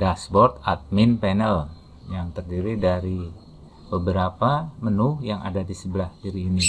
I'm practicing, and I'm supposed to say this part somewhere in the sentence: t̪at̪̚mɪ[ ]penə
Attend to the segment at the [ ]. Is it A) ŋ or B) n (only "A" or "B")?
B